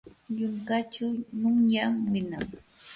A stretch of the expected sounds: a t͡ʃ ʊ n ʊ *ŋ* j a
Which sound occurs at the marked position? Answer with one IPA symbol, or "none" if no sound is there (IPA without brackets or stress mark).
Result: ŋ